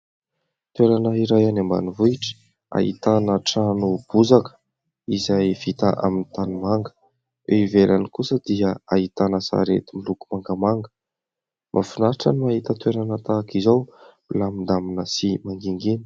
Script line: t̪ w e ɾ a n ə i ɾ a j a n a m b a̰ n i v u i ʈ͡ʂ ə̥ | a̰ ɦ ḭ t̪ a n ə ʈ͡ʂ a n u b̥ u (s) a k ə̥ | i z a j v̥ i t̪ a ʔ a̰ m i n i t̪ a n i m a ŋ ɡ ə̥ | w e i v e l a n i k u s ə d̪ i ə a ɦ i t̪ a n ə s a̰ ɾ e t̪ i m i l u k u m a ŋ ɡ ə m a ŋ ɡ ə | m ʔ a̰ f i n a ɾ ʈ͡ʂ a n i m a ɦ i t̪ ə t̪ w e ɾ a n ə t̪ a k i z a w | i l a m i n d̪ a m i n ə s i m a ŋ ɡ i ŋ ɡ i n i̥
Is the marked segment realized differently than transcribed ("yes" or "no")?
yes